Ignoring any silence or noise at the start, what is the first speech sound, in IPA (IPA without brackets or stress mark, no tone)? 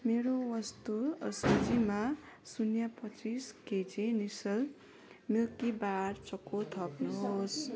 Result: m